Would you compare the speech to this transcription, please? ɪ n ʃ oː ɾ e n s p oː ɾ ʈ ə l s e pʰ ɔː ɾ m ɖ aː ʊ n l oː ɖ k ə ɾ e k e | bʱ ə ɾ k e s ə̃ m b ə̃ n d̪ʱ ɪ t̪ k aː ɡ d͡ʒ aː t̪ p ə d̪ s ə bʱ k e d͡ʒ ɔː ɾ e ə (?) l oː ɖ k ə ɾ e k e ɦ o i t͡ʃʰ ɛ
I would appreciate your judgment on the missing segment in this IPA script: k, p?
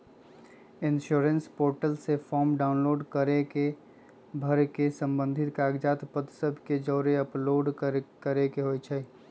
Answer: p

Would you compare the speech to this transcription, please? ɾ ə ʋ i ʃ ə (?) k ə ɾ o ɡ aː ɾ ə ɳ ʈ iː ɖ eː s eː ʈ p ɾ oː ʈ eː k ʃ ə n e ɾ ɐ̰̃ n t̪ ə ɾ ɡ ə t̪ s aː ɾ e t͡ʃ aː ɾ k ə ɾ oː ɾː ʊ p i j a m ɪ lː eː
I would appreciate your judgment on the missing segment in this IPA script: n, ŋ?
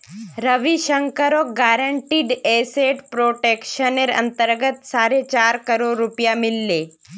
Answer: ŋ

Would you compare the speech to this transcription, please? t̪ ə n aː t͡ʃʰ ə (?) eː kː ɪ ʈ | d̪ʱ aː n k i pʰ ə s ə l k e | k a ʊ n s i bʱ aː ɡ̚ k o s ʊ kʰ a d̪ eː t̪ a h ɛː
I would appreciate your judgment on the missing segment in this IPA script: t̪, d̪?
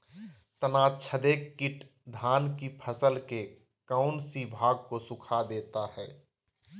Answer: d̪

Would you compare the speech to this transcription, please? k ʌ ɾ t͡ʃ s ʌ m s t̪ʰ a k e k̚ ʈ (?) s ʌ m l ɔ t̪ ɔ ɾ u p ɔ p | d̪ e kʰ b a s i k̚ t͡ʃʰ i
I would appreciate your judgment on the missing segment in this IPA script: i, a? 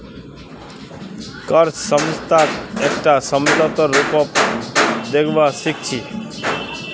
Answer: a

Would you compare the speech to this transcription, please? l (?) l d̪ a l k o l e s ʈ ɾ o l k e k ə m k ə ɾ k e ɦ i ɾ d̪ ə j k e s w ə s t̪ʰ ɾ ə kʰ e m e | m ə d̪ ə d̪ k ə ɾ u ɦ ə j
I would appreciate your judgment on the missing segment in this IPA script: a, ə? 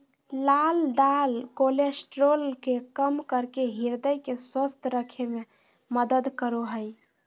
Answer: a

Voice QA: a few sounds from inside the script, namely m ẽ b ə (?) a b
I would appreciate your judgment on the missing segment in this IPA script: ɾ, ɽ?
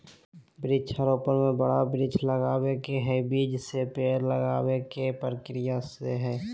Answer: ɽ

